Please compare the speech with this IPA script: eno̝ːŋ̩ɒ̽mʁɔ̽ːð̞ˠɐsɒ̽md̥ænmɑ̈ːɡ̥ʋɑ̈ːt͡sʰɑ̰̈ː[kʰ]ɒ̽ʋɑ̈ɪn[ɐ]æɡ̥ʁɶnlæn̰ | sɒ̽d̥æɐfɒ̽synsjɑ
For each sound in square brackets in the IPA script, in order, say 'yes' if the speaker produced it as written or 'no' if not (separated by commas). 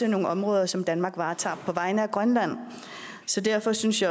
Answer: no, no